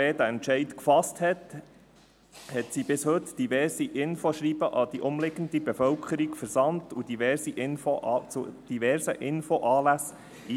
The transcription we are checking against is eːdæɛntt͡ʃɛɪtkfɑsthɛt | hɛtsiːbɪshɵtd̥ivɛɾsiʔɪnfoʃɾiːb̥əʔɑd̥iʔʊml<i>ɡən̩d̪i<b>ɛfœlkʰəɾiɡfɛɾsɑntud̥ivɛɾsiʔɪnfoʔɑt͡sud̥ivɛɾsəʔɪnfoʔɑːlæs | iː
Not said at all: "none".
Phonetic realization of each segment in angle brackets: ɪ, b

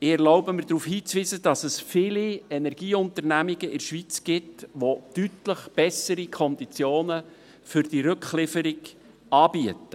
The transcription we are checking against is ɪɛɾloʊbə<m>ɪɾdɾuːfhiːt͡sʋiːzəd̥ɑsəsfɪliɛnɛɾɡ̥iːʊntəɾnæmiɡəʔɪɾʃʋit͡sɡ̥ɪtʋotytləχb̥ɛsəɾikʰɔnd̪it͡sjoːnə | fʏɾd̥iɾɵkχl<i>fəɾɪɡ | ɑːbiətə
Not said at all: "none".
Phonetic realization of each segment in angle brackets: m, ɪ

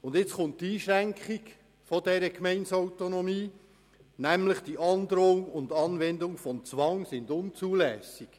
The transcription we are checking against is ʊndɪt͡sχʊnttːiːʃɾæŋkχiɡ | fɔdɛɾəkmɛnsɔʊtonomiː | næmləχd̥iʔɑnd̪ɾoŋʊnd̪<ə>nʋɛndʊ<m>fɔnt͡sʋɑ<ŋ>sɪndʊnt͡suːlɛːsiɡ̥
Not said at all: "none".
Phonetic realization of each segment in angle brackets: ɑ, ŋ, ŋ

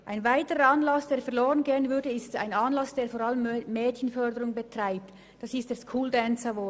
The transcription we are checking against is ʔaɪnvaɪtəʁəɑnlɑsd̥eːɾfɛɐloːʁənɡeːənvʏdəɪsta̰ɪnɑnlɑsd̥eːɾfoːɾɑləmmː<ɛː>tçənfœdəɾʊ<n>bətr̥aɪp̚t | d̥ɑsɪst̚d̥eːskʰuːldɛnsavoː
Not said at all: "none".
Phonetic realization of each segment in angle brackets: ɛː, ŋ

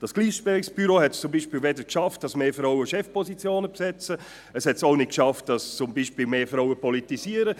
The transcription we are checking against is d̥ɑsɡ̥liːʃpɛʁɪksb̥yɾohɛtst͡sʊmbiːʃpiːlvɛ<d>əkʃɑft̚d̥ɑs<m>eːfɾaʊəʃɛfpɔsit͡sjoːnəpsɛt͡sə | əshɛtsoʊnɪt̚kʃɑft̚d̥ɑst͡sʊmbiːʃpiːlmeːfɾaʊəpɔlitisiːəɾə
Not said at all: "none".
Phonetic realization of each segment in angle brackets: d, m

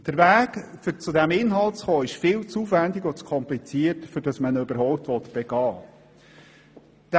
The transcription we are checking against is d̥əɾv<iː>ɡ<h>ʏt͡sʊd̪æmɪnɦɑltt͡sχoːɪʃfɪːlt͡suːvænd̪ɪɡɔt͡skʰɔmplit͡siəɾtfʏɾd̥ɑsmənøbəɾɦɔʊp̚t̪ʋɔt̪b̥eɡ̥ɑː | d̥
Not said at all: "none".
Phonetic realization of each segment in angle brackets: æː, f

